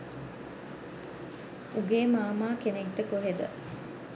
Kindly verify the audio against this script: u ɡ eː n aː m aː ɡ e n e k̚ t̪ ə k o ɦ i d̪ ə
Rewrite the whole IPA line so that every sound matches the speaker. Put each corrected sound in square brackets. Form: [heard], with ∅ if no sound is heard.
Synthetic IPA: u ɡ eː [m] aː m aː [k] e n e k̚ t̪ ə k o ɦ [e] d̪ ə